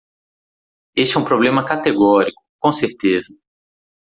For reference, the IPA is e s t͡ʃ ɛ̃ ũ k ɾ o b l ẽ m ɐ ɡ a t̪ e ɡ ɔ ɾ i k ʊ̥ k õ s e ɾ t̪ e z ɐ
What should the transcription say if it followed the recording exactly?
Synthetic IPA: e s t͡ʃ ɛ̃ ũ p ɾ o b l ẽ m ɐ k a t̪ e ɡ ɔ ɾ i k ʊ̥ k õ s e ɾ t̪ e z ɐ